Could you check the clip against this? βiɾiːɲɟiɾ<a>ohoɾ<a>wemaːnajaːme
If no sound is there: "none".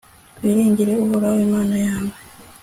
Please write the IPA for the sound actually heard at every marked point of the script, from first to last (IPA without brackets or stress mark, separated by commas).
e, a